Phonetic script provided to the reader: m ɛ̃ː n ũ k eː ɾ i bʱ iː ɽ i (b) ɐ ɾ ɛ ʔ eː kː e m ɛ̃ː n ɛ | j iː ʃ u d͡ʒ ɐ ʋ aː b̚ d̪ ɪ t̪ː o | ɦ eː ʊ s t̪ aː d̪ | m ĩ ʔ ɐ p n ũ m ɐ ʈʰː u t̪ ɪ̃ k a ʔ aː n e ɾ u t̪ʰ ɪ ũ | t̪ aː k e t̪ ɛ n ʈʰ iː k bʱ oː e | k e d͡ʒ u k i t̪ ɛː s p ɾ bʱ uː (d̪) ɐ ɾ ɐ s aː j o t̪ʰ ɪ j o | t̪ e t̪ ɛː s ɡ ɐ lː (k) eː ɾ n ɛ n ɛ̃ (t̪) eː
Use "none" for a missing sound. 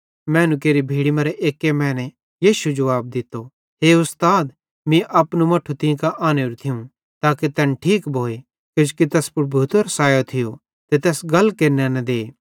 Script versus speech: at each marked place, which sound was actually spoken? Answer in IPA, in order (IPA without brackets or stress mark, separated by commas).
m, t̪, k, d̪